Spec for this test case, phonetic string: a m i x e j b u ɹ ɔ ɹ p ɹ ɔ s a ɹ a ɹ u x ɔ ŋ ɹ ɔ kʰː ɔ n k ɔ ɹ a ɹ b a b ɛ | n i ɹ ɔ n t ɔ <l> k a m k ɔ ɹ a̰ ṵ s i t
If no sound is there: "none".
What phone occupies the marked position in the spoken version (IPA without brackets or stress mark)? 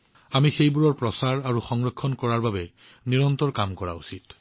ɹ